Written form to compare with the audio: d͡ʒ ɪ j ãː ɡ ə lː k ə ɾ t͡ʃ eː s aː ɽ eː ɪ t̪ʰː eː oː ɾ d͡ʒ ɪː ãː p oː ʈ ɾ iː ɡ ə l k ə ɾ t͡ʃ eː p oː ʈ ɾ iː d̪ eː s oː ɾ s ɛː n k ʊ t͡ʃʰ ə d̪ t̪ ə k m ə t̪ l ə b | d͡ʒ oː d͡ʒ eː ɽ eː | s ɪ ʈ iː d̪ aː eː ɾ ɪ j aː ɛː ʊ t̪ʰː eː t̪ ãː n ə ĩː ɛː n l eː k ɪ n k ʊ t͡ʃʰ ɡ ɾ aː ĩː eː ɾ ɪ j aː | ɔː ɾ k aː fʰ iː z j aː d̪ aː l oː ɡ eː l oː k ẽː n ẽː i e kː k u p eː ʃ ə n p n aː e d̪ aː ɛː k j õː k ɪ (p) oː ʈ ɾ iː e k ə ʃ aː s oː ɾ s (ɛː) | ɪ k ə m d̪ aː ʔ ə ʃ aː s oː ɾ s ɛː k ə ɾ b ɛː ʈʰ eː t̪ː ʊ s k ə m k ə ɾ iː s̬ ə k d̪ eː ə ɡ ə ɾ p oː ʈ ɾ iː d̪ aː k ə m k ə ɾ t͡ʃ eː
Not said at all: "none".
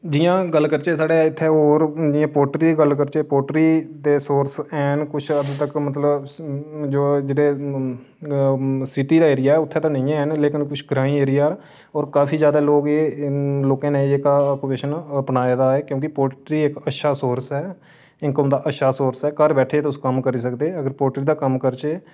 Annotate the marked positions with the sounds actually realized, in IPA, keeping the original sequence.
p, ɛː

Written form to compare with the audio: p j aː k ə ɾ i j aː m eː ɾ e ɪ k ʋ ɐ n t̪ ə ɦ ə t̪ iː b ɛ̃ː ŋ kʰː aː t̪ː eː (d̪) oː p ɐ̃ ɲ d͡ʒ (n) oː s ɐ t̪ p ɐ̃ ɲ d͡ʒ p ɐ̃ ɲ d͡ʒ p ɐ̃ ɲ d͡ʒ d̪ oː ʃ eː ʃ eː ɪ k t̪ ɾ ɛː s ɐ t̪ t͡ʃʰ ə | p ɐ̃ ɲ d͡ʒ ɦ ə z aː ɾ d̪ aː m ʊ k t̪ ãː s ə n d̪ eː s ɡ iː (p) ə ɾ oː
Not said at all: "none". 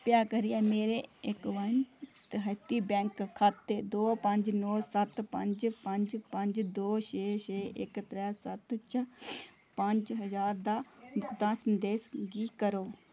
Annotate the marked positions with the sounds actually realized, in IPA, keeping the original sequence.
d̪, n, k

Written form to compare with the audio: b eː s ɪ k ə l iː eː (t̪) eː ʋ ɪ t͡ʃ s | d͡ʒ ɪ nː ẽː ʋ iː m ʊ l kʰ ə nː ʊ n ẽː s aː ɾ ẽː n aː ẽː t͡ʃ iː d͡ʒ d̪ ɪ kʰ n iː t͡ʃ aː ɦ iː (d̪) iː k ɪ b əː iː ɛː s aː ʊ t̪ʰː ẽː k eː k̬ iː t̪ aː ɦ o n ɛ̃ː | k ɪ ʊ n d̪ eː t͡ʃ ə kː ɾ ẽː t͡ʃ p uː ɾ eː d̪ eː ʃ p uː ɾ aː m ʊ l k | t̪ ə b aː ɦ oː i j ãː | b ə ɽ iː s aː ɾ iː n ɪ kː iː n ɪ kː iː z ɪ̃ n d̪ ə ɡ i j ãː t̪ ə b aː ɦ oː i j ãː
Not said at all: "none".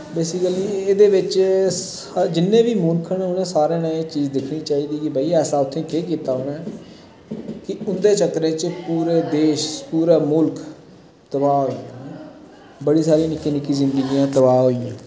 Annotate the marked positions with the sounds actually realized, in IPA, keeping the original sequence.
d̪, d̪

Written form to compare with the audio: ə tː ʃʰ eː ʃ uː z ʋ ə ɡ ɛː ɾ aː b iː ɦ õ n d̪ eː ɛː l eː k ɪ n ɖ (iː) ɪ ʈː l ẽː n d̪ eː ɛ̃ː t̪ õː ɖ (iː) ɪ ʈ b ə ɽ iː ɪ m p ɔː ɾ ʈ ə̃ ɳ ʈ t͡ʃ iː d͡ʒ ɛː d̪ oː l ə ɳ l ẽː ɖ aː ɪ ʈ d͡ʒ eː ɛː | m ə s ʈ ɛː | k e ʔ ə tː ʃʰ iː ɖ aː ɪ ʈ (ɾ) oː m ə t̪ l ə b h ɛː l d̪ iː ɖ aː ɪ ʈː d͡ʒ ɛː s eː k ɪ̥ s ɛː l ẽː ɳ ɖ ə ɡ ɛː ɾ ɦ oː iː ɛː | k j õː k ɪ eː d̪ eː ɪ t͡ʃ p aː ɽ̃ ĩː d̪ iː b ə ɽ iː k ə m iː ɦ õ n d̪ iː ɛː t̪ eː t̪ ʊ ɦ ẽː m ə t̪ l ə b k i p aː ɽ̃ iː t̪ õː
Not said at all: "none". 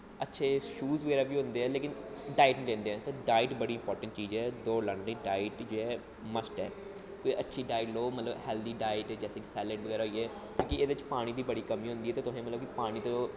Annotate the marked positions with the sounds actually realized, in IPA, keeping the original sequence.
aː, aː, l

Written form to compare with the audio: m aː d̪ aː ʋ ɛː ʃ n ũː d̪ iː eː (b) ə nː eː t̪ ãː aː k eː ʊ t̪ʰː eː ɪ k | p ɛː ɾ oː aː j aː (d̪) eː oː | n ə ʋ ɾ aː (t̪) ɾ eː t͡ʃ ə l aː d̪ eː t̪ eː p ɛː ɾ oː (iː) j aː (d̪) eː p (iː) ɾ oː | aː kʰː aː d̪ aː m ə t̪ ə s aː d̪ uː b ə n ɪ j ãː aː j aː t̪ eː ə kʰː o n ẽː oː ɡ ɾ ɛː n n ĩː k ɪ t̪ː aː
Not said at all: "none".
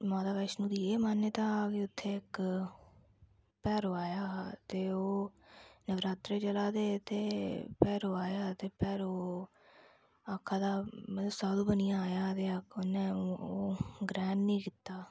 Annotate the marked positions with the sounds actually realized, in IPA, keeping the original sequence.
m, t̪, t̪, aː, t̪, ɛː

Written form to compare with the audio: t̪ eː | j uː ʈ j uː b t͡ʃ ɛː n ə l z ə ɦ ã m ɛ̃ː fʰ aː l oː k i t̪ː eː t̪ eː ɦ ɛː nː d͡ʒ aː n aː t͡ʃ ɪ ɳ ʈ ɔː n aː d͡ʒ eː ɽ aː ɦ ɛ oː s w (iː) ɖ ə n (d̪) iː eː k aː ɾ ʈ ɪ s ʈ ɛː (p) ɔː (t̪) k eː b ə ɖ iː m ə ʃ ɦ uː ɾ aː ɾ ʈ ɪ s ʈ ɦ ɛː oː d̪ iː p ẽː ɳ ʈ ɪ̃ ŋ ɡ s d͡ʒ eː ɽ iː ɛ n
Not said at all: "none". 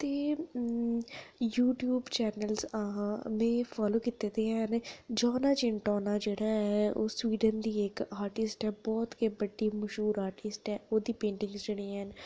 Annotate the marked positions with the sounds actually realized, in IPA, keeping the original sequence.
iː, d̪, b, t̪

